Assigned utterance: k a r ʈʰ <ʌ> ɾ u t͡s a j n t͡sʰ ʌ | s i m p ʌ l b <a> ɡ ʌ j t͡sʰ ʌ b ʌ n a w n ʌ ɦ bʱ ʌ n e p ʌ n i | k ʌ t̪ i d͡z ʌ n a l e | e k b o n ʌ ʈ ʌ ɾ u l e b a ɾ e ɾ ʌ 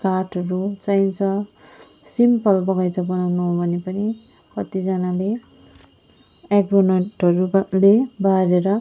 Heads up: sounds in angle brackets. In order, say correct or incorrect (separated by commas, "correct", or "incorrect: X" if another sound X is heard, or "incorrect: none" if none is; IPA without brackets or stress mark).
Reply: correct, incorrect: ʌ